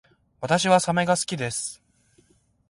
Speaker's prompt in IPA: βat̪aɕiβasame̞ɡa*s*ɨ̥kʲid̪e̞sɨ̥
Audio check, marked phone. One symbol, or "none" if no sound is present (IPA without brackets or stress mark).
s